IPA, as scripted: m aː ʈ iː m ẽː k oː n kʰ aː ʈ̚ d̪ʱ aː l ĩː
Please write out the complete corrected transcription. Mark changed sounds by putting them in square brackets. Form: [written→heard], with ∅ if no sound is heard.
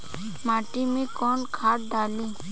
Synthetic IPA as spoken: m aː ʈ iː m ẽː k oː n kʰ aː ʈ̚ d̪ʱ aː l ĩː